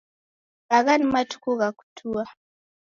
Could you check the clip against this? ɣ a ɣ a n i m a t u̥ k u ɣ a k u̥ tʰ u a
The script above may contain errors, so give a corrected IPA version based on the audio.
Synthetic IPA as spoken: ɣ a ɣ a n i m a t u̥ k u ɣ a k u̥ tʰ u a